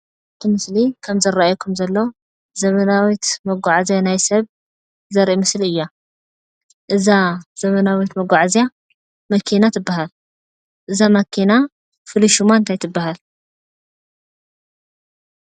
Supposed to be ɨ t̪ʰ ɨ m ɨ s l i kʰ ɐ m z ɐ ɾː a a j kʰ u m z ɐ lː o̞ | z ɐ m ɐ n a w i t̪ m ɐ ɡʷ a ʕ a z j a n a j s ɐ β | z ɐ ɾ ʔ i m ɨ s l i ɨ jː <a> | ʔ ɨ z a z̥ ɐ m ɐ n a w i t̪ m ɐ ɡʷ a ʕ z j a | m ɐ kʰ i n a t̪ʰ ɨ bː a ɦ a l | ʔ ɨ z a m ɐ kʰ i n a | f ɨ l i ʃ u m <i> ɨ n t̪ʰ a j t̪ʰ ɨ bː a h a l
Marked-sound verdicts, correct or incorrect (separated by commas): correct, incorrect